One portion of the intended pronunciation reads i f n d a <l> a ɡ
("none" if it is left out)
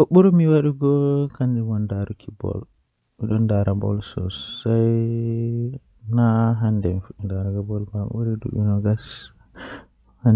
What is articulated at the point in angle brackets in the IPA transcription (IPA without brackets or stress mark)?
ɾ